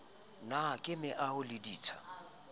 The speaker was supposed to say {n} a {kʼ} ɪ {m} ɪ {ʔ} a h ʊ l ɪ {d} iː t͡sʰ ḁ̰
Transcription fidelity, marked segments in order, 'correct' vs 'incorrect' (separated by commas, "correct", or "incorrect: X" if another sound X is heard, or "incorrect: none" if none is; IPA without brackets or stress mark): correct, correct, correct, correct, correct